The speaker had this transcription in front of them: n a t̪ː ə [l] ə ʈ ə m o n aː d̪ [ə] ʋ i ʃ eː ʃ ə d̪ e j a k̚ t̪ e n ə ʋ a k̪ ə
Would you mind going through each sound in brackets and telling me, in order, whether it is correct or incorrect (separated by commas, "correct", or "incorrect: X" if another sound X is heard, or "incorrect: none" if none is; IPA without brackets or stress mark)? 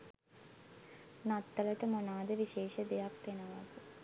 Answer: correct, correct